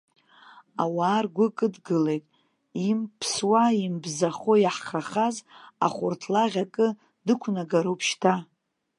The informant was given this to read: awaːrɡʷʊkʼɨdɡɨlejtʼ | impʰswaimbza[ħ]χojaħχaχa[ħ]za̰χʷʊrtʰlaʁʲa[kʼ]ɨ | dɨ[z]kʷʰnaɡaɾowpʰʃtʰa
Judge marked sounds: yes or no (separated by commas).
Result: no, no, yes, no